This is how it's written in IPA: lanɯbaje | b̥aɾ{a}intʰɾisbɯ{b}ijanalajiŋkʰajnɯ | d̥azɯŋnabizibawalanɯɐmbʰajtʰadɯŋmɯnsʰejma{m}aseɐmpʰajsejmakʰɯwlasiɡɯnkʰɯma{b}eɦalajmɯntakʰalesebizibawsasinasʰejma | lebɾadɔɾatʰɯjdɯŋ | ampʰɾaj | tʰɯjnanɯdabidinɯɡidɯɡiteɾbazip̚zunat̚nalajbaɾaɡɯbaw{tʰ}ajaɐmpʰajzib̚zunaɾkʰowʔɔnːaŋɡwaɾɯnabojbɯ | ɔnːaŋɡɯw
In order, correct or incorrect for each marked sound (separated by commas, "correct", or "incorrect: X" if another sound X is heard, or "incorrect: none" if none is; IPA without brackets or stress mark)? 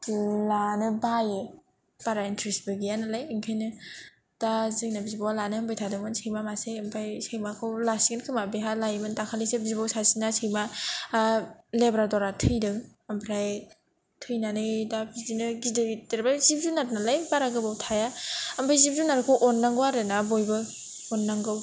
correct, incorrect: ɡ, correct, correct, correct